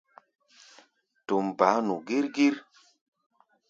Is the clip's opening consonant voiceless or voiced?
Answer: voiceless